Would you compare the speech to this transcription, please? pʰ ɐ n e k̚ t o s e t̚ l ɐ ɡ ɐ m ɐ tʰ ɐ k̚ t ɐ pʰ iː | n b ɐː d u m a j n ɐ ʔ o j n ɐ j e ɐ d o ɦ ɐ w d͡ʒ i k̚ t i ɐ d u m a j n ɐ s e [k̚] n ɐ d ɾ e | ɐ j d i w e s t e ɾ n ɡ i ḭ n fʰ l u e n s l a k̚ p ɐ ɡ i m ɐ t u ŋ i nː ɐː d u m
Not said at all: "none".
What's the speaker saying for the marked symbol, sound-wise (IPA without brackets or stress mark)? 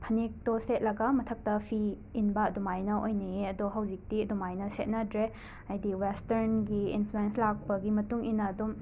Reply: t̚